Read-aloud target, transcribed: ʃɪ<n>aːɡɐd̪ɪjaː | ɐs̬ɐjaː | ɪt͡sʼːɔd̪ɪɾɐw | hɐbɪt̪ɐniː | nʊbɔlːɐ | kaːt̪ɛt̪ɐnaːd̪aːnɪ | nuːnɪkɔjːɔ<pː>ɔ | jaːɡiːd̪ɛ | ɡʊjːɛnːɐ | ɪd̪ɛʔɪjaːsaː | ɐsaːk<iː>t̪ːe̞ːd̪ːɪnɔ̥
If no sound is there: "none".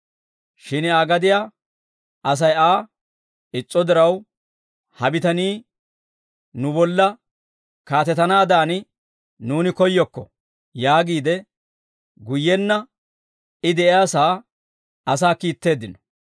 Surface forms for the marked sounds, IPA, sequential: n, kː, iː

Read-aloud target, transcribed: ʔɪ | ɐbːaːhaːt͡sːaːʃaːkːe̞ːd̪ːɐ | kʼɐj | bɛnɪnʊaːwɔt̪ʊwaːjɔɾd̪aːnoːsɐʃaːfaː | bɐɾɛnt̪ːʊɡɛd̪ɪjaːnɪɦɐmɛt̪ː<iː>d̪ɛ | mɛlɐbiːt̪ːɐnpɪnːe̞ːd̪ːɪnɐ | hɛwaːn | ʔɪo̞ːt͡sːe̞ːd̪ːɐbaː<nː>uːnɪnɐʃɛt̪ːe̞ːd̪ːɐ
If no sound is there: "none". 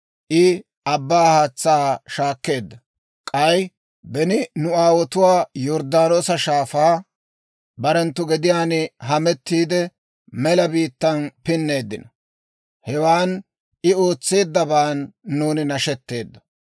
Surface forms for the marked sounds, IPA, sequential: iː, nː

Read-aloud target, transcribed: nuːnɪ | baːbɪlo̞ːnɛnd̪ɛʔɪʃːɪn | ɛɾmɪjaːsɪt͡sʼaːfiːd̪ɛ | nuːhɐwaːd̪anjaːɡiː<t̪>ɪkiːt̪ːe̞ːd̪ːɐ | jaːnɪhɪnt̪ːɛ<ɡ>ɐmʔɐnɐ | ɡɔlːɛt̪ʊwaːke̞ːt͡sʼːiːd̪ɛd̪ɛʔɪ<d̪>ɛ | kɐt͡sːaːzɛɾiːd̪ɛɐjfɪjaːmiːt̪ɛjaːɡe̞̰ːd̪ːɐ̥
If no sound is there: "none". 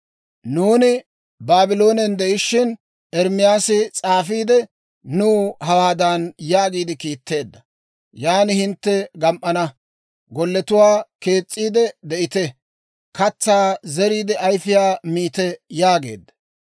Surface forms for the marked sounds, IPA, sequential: d̪, ɡ, t̪

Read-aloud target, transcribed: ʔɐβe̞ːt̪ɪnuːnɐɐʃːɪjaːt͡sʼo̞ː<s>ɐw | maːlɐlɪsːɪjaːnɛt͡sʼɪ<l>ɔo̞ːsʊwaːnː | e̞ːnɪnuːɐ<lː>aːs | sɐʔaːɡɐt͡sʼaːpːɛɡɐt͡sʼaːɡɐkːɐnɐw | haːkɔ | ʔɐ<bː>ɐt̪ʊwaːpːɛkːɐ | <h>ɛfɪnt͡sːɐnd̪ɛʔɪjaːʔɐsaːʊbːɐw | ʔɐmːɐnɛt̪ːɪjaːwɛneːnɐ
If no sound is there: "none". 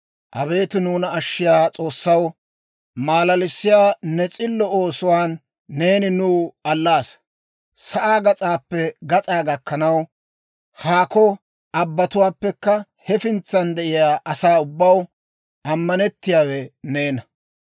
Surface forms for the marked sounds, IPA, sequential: sː, lː, lː, bː, h

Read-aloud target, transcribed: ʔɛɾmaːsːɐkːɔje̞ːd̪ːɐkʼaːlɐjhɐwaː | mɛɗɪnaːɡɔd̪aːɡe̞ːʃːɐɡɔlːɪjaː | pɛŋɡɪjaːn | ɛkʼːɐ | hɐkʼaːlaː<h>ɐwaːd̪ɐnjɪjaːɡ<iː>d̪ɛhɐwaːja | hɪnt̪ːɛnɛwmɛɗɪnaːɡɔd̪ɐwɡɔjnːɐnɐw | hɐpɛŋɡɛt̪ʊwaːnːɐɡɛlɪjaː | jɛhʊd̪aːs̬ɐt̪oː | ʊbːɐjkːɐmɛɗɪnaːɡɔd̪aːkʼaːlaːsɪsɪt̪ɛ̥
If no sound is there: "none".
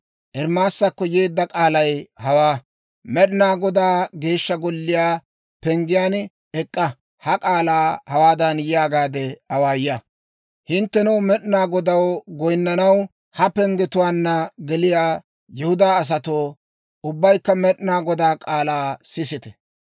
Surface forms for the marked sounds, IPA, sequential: h, aː

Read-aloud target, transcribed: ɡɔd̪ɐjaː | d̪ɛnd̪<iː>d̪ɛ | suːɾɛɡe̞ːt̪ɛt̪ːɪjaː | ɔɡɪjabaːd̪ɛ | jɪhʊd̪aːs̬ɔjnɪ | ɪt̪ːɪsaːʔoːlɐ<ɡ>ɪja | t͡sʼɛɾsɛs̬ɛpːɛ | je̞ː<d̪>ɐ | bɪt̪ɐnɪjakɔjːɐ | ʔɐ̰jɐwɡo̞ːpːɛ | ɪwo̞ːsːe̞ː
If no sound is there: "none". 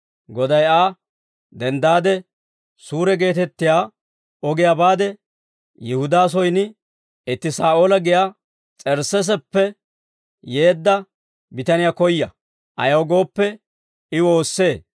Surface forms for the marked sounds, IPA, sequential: aː, ɡ, d̪ː

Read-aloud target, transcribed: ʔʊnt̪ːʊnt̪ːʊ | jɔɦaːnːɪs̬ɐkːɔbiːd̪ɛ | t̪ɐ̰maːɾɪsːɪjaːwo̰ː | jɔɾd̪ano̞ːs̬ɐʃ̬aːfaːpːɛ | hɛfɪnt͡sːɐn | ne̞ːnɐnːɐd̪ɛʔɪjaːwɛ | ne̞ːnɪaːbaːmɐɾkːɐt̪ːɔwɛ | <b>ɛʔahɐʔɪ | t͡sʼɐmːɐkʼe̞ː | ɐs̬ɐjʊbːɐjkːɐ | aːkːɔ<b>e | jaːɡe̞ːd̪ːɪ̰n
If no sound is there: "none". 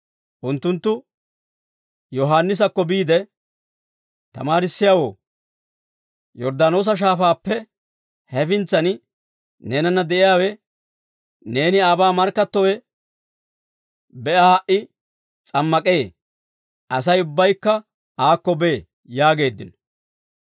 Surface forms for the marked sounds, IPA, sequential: b, b

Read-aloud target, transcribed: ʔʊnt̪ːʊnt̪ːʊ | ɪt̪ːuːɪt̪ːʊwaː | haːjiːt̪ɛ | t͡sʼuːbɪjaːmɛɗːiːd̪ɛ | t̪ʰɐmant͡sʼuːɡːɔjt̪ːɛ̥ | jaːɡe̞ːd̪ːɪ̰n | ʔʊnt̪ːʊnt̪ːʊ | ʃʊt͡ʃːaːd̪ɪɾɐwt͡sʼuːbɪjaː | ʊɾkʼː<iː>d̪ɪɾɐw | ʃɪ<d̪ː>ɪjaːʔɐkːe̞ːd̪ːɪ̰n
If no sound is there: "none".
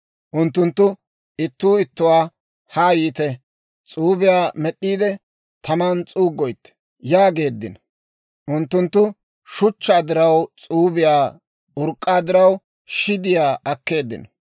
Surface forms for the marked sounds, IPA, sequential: aː, d̪

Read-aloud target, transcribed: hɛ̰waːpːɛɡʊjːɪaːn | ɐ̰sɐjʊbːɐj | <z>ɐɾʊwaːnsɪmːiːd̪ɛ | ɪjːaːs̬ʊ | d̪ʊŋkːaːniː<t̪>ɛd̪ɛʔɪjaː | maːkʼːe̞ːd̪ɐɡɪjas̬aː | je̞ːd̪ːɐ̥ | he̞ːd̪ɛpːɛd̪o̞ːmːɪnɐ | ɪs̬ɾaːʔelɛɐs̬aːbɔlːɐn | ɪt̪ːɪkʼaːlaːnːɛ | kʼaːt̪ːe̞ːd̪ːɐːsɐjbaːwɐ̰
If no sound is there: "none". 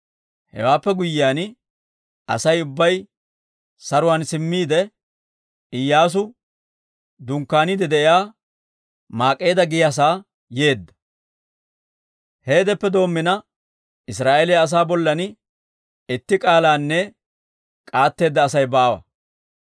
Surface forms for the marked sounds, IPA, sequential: s, d̪

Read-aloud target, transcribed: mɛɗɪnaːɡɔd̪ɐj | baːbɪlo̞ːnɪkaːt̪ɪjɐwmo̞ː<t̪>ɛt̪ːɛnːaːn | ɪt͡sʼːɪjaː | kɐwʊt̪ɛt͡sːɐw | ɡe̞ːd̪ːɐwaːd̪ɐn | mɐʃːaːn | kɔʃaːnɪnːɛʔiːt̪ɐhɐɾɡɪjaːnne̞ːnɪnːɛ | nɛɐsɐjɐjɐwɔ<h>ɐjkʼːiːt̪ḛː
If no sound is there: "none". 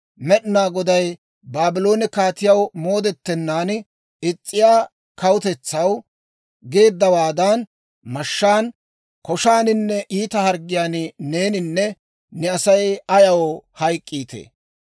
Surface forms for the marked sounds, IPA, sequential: d̪, h

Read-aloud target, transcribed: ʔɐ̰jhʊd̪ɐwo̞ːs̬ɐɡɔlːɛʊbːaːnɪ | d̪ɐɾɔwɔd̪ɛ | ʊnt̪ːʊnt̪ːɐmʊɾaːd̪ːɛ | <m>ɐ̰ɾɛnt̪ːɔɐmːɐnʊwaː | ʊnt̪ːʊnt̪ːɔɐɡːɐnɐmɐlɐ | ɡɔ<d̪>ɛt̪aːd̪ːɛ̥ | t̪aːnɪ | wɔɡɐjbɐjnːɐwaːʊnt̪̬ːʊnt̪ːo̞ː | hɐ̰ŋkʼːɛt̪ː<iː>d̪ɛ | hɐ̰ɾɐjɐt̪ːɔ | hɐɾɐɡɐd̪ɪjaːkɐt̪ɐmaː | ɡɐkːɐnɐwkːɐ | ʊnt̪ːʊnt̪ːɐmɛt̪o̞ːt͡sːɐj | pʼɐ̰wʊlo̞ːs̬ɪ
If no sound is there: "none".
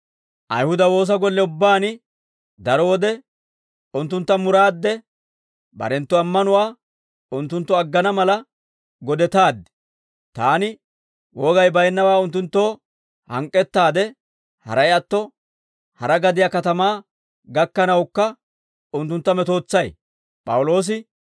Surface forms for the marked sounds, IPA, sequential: b, d̪, aː

